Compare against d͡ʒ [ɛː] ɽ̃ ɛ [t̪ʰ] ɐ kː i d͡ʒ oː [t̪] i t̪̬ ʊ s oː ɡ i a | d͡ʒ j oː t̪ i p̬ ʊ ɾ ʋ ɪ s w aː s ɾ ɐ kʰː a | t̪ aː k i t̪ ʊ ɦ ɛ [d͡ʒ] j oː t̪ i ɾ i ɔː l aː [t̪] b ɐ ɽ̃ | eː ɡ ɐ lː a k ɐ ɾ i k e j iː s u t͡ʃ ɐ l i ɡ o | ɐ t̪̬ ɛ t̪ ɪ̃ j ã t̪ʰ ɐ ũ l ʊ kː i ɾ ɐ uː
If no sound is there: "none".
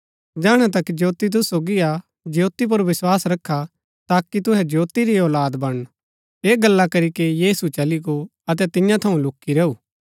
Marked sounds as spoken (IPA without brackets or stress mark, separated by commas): aː, t̪, t̪, d͡ʒ, d̪